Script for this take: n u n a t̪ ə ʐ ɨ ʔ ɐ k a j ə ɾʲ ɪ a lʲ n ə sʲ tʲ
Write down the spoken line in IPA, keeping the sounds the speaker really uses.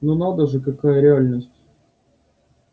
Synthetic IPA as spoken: n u n a d̪ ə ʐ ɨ k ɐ k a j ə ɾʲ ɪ a lʲ n ə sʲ tʲ